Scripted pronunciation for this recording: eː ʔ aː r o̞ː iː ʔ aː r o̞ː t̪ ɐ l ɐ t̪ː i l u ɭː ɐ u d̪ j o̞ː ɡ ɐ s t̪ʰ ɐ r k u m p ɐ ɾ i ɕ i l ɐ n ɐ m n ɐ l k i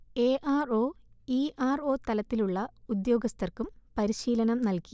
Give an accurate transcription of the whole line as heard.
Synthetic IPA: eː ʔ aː r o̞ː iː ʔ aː r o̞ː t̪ ɐ l ɐ t̪ː i l u ɭː ɐ u d̪ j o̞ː ɡ ɐ s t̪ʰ ɐ r k u m p ɐ ɾ i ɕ iː l ɐ n ɐ m n ɐ l k i